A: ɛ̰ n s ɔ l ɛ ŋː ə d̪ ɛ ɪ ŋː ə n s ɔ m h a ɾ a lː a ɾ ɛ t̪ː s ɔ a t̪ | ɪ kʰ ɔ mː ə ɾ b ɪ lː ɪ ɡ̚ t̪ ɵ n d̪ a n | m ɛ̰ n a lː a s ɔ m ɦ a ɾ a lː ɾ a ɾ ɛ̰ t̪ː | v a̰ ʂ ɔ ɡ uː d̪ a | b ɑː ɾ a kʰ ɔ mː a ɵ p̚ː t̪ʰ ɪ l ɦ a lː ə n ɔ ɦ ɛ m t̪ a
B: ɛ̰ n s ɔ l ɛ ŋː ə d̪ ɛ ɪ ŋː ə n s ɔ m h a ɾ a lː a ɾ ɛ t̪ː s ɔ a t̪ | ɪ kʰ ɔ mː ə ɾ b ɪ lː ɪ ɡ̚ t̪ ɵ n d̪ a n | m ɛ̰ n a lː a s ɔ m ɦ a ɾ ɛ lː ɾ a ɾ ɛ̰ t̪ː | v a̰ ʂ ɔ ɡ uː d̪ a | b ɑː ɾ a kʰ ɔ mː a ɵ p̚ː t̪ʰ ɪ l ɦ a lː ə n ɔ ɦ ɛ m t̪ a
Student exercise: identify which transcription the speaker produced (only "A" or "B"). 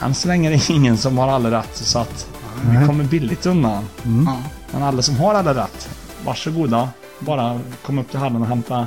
A